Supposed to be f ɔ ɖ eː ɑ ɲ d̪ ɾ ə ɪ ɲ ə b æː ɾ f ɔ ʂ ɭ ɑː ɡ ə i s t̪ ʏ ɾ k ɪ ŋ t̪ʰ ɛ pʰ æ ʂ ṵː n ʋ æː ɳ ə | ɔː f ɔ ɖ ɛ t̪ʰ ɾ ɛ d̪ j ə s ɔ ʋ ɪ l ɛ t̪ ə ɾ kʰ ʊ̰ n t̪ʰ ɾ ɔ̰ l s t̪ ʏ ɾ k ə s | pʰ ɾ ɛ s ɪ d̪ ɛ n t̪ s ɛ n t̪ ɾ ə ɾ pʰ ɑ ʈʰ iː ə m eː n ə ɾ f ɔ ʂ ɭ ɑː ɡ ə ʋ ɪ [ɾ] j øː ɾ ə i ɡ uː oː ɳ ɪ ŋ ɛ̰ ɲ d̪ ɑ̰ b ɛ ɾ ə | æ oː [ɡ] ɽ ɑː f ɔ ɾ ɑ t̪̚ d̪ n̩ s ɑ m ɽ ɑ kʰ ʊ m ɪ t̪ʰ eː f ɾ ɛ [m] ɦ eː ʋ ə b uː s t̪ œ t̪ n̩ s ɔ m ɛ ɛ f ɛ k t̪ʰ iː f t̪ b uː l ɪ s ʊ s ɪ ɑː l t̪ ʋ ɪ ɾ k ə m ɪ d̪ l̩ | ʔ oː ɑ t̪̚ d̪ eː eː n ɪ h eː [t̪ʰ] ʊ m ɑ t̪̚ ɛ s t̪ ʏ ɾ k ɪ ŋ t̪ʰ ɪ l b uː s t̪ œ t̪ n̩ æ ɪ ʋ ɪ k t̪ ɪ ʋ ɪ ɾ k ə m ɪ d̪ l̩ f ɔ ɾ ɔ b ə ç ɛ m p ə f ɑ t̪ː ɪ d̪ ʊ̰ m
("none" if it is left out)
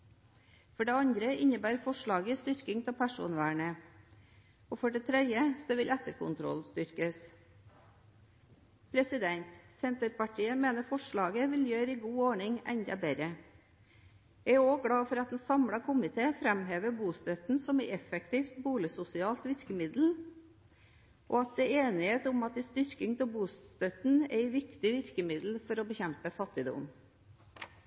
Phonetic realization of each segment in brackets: l, ɡ, m, t̪

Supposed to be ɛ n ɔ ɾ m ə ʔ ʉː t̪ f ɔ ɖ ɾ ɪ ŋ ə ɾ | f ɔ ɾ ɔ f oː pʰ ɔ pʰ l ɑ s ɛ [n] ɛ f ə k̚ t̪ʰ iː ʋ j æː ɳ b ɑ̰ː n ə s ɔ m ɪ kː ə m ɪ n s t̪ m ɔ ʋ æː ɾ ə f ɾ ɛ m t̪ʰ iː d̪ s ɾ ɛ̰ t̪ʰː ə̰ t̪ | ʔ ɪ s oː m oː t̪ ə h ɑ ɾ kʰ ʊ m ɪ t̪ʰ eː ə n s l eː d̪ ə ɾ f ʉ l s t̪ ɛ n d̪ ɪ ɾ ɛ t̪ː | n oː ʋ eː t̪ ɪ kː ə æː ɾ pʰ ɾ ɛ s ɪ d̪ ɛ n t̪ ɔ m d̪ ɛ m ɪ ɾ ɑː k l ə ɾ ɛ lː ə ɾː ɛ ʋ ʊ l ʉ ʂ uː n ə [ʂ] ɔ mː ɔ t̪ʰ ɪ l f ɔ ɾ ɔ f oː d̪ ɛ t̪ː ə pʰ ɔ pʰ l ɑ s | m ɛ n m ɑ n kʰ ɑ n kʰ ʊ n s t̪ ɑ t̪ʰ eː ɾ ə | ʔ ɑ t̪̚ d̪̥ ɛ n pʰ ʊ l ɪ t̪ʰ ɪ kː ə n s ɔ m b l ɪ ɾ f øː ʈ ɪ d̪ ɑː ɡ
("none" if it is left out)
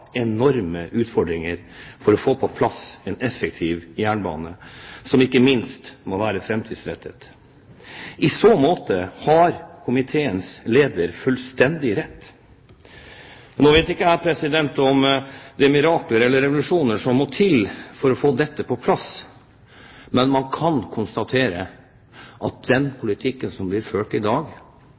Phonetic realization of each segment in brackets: n, ʂ

